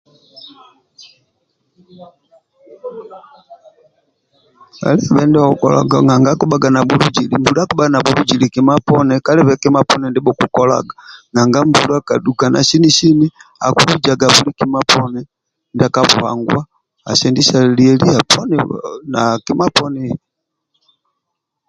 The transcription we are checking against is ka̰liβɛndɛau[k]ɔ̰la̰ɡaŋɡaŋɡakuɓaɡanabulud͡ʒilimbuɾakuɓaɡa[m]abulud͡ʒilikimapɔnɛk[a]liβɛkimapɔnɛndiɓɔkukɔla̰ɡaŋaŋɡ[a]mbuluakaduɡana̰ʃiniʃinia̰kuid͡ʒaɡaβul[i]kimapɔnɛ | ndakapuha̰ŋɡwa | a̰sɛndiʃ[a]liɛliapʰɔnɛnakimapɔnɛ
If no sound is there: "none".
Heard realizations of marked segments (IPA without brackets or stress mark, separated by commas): k, n, a, a, i, a